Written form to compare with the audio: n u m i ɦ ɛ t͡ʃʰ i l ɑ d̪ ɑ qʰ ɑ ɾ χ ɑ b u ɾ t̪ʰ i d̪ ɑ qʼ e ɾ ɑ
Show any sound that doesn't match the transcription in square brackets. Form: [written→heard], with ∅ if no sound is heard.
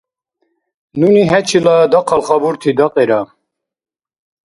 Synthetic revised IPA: n u [m→n] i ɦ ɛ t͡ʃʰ i l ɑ d̪ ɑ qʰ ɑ [ɾ→l] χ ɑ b u ɾ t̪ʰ i d̪ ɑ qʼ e ɾ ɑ